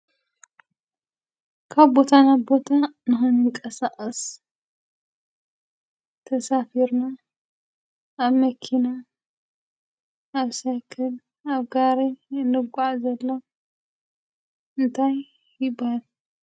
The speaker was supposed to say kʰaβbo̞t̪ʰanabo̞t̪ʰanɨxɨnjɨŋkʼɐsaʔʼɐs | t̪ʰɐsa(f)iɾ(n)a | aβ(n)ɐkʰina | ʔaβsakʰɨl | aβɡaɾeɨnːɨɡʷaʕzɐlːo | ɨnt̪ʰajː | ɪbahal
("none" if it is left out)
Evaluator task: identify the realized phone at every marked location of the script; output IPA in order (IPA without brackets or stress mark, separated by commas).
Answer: f, n, m